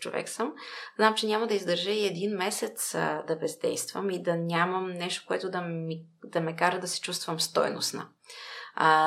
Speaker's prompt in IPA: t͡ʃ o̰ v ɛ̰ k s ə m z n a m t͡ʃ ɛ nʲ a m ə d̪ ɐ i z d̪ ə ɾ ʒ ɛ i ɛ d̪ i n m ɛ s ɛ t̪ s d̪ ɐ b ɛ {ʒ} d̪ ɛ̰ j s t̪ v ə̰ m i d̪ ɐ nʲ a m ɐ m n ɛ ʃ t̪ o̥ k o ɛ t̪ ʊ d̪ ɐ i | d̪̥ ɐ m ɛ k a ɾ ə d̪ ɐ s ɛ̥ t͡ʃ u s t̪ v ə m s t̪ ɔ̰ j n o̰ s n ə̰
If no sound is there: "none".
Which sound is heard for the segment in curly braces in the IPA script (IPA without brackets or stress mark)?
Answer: z